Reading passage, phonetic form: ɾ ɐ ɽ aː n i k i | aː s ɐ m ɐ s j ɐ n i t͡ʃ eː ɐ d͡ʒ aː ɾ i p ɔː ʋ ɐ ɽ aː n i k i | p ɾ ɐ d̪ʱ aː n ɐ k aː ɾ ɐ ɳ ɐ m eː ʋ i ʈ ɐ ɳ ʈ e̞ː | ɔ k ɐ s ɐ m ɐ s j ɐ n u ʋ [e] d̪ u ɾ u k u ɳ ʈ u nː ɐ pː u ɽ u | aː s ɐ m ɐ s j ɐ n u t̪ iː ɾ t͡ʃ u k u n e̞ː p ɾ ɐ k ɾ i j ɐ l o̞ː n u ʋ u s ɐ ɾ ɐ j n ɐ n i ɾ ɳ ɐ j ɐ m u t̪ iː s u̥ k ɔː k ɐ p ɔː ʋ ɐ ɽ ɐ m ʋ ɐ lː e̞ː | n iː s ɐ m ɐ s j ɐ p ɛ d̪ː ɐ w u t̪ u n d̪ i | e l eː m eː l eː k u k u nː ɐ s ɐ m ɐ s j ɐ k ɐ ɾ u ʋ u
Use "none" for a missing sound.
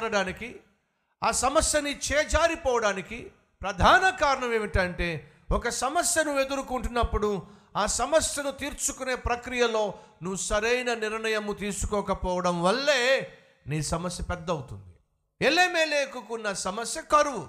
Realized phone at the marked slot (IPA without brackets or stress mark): e